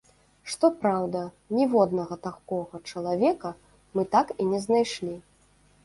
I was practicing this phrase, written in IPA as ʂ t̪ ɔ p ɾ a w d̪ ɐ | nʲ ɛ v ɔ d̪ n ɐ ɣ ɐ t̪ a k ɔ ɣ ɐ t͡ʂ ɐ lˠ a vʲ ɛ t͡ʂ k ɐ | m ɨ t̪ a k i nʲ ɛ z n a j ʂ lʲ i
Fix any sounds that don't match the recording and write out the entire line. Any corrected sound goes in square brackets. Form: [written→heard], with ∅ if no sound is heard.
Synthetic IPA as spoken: ʂ t̪ ɔ p ɾ a w d̪ ɐ | nʲ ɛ v ɔ d̪ n ɐ ɣ ɐ t̪ a k ɔ ɣ ɐ t͡ʂ ɐ lˠ a vʲ ɛ [t͡ʂ→∅] k ɐ | m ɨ t̪ a k i nʲ ɛ z n a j ʂ lʲ i